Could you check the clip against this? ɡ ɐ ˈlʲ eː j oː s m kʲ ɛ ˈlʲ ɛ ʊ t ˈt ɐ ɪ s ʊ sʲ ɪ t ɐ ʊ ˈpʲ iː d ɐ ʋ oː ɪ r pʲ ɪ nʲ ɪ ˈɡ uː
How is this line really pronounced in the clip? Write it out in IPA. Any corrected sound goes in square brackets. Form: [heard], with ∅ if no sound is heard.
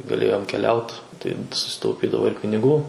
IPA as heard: ɡ ɐ ˈlʲ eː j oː [∅] m kʲ ɛ ˈlʲ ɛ ʊ t ˈt ɐ ɪ s ʊ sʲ ɪ t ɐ ʊ ˈpʲ iː d ɐ ʋ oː ɪ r pʲ ɪ nʲ ɪ ˈɡ uː